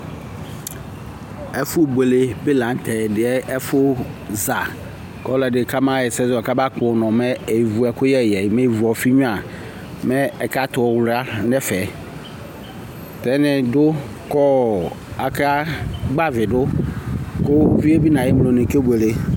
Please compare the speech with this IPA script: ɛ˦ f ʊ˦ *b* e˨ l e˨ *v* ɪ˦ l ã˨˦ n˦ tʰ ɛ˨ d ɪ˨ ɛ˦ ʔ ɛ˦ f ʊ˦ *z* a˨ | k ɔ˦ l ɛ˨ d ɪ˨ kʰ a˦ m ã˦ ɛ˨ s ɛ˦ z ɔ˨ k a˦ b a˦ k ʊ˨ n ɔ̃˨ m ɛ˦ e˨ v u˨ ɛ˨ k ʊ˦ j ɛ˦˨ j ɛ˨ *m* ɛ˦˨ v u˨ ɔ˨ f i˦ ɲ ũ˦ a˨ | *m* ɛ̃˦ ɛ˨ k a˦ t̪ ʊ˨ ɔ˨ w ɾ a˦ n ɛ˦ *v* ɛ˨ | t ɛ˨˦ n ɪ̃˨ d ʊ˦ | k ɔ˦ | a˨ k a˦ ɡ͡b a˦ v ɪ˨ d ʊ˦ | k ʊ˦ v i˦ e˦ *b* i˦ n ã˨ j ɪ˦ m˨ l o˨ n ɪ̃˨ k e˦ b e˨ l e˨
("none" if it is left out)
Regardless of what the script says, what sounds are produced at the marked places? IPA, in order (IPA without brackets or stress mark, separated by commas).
b, b, z, m, m, f, b